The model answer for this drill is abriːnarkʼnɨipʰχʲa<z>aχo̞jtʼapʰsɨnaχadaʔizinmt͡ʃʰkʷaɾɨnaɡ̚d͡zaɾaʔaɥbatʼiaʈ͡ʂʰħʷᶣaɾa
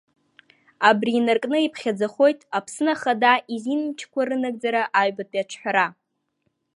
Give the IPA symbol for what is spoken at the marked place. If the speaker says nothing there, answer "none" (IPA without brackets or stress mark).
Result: d͡z